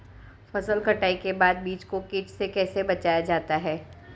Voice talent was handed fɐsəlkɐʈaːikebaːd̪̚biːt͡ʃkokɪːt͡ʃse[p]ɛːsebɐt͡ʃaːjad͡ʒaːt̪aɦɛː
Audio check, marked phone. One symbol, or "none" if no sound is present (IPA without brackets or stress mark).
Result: k